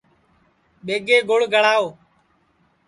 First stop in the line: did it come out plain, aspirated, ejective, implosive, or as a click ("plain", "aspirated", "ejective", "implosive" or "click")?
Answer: implosive